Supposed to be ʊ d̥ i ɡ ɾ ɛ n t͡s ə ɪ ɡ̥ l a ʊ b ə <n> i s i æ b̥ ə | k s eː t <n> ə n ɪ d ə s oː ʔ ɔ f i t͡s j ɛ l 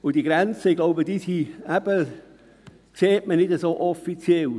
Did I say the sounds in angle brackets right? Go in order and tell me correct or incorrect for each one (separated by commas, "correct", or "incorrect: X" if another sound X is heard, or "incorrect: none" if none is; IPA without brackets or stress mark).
incorrect: d, incorrect: m